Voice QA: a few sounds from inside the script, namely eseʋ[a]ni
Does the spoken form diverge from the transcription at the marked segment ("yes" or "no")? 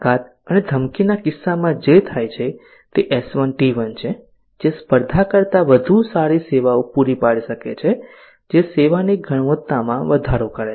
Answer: no